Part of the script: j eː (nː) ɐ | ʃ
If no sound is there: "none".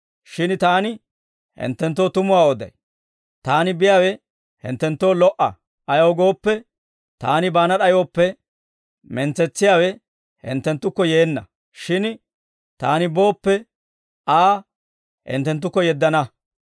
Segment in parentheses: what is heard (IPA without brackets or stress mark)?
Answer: nː